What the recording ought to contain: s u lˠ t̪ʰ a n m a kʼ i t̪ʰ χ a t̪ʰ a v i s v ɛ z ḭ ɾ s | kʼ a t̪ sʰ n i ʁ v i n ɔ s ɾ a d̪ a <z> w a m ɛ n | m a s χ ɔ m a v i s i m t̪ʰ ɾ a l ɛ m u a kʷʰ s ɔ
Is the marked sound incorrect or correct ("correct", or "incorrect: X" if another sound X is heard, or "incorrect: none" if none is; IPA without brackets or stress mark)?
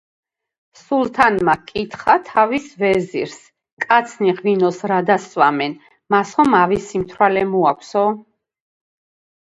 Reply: incorrect: s